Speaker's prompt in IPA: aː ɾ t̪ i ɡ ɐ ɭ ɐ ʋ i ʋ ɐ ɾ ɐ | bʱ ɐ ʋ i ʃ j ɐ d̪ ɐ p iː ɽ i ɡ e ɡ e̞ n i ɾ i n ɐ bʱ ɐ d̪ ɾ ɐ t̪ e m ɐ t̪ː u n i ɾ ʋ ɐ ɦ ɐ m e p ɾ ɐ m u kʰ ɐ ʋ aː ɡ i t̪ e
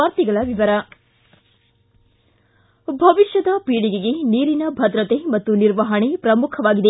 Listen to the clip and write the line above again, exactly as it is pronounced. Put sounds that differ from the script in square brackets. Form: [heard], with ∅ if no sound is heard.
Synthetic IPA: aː ɾ t̪ i ɡ ɐ ɭ ɐ ʋ i ʋ ɐ ɾ ɐ | bʱ ɐ ʋ i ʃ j ɐ d̪ ɐ p iː ɽ i ɡ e ɡ e̞ n [iː] ɾ i n ɐ bʱ ɐ d̪ ɾ ɐ t̪ e m ɐ t̪ː u n i ɾ ʋ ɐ ɦ ɐ [ɳ] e p ɾ ɐ m u kʰ ɐ ʋ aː ɡ i [d̪] e